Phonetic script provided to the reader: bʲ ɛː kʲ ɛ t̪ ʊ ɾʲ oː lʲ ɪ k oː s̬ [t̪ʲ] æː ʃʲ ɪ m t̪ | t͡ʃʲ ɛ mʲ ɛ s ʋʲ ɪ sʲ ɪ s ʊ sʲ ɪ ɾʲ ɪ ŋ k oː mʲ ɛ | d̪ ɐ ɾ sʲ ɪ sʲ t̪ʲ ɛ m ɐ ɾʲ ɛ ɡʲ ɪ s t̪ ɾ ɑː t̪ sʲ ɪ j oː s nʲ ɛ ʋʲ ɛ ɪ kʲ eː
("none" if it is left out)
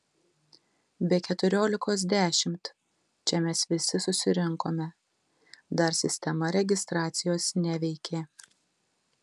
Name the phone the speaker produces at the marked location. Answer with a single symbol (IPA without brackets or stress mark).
d̪ʲ